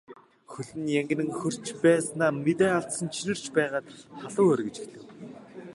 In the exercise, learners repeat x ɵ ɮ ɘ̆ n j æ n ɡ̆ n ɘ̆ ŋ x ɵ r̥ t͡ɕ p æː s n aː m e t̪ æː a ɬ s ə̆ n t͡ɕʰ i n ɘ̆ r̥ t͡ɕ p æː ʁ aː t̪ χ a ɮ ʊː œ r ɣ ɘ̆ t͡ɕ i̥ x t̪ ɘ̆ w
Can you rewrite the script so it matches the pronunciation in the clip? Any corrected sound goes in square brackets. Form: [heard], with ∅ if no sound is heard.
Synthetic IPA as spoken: x ɵ ɮ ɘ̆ n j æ [ŋ] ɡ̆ n ɘ̆ ŋ x ɵ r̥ t͡ɕ p æː s n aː m e t̪ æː a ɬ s ə̆ n t͡ɕʰ i n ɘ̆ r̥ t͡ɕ p æː ʁ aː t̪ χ a ɮ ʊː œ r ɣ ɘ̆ t͡ɕ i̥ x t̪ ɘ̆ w